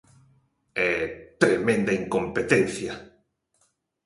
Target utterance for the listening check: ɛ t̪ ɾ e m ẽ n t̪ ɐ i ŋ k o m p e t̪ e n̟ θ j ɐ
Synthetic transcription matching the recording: ɛ t̪ ɾ e m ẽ n d̪ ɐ i ŋ k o m p e t̪ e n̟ θ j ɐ